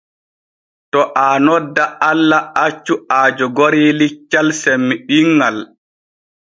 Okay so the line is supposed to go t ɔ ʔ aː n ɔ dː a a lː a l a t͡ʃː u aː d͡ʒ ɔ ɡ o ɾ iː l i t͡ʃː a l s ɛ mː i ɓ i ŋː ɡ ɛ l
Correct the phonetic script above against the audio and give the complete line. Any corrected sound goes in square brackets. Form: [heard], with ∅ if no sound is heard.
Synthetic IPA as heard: t ɔ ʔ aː n ɔ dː a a lː a [∅] a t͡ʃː u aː d͡ʒ ɔ ɡ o ɾ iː l i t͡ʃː a l s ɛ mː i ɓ i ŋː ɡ [a] l